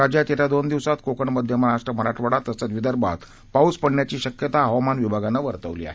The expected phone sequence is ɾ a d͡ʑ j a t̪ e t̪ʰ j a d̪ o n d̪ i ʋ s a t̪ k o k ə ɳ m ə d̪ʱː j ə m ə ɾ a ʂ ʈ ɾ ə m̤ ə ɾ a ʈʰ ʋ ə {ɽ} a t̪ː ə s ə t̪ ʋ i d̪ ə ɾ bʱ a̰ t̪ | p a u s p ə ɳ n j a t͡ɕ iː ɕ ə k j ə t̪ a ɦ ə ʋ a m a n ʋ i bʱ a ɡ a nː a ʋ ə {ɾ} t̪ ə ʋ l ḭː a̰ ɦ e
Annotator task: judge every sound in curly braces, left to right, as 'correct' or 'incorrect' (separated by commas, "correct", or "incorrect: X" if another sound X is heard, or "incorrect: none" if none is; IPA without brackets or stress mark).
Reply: correct, correct